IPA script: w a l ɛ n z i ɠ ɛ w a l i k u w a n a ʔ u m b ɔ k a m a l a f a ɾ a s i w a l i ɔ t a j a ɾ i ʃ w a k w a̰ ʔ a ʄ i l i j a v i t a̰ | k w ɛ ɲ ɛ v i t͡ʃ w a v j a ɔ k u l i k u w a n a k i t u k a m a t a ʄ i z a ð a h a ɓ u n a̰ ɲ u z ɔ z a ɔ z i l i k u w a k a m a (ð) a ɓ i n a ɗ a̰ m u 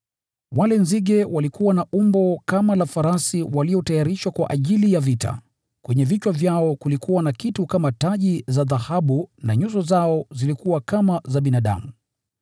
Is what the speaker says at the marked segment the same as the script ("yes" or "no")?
no